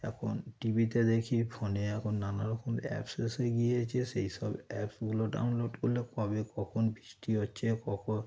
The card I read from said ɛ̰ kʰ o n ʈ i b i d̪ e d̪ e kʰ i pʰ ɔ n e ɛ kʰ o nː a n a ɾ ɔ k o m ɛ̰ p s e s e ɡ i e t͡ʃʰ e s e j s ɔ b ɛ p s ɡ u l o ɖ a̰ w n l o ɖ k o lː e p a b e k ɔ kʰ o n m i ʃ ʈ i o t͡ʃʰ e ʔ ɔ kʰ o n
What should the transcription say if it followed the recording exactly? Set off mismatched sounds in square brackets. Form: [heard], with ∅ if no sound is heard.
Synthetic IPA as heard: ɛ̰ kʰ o n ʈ i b i [t̪] e d̪ e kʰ i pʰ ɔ n e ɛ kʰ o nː a n a ɾ ɔ k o m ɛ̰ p s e s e ɡ i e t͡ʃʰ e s e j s ɔ b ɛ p s ɡ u l o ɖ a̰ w n l o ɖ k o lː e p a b e k ɔ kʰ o n [b] i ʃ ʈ i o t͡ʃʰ e [k] ɔ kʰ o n